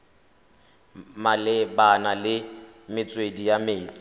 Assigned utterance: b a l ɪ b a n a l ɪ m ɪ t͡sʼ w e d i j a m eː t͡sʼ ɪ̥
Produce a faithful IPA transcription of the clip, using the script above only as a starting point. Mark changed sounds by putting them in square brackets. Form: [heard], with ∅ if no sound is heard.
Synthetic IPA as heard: [m] a l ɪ b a n a l ɪ m ɪ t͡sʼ w e d i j a m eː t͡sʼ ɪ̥